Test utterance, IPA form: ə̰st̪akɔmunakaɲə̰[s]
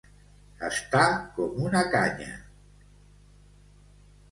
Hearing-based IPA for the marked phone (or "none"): none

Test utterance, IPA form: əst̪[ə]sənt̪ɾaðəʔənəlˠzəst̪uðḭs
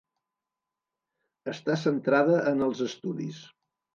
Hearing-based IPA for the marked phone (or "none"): a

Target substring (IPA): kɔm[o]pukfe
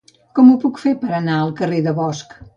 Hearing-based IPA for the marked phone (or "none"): u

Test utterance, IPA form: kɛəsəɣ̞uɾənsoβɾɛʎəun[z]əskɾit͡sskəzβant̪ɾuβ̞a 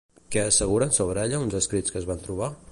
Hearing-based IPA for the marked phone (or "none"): z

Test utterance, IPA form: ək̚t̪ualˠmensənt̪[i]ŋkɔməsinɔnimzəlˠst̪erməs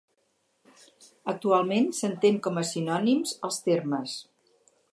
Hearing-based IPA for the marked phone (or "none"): e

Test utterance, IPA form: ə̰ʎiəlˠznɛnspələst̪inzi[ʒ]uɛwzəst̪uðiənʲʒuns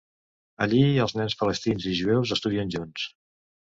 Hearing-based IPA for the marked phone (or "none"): ʒ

